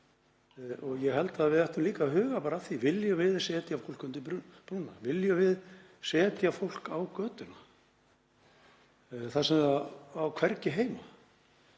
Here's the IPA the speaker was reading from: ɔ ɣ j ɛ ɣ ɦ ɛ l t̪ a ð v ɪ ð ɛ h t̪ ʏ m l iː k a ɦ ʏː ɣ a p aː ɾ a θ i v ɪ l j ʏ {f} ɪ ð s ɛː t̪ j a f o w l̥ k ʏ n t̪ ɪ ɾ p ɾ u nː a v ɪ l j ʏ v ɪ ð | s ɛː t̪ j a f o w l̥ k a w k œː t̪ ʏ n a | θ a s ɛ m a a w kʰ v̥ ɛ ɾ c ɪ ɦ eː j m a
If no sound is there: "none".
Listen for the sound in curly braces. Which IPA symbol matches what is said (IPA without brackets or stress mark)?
v